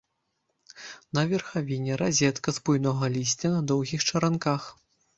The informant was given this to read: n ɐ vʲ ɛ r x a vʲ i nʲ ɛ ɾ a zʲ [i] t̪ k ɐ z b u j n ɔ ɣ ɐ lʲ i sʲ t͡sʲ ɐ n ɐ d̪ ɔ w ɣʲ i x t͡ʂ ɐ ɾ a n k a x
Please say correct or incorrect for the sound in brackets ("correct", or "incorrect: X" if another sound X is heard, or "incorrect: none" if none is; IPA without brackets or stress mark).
incorrect: ɛ